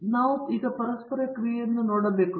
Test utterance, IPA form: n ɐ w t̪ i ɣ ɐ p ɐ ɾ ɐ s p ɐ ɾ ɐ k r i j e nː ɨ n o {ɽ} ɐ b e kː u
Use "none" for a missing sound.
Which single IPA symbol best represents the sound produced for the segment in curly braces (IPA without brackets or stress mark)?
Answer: ɽ